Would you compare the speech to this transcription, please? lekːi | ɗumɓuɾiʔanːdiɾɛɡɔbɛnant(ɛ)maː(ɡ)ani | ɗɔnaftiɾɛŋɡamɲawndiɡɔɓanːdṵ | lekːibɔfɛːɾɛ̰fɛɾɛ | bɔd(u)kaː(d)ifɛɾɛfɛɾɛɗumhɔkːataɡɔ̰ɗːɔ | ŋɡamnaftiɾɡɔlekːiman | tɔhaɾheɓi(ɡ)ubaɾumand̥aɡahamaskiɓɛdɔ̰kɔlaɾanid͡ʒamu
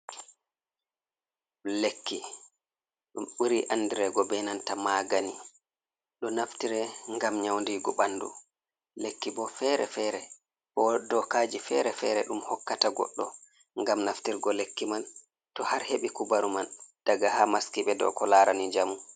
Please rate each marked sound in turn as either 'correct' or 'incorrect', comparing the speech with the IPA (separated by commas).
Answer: incorrect, correct, incorrect, incorrect, incorrect